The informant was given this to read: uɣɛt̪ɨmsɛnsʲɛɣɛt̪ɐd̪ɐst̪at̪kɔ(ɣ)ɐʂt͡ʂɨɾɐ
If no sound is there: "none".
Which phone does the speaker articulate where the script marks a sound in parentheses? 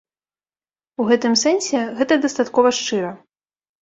v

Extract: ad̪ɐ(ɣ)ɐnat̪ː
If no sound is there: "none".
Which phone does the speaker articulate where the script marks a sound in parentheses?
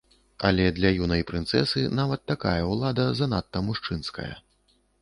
z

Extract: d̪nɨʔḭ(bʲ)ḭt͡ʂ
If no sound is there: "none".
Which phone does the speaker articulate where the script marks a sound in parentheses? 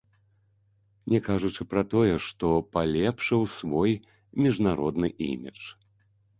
mʲ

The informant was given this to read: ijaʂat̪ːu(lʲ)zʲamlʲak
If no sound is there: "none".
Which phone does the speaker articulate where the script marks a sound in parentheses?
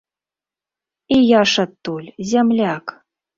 lʲ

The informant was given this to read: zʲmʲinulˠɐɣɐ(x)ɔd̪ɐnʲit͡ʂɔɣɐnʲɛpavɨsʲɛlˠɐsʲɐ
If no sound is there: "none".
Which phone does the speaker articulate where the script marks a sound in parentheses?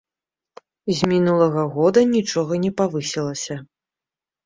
ɣ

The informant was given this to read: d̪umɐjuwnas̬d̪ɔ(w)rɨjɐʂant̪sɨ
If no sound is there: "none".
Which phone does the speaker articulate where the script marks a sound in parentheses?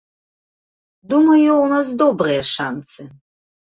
b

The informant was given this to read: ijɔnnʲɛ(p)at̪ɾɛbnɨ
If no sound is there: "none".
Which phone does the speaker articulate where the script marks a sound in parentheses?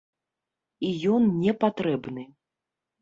p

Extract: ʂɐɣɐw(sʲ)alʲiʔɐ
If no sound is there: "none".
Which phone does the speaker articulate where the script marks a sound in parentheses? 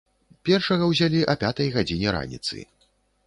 zʲ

